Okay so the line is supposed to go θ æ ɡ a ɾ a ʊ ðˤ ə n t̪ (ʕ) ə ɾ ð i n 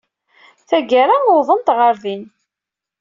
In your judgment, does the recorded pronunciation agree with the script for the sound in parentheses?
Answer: no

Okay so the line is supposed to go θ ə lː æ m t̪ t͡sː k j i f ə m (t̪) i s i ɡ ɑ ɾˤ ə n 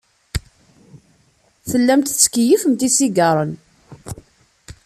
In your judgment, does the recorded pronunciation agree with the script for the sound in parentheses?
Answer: yes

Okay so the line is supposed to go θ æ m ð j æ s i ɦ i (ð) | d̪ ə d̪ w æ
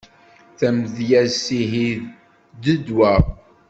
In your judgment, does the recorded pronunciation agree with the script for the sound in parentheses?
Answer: yes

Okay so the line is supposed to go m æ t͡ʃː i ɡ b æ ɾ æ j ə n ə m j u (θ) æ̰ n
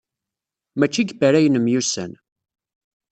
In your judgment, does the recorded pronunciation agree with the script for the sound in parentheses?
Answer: no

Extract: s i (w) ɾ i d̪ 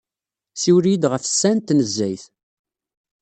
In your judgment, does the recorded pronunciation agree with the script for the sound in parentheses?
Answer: yes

